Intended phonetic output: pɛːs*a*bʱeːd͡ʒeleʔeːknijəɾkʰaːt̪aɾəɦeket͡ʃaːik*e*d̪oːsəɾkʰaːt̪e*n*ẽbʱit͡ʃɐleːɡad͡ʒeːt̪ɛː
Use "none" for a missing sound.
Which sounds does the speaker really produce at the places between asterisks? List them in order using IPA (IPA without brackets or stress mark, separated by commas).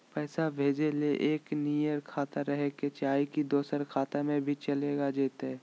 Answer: a, i, m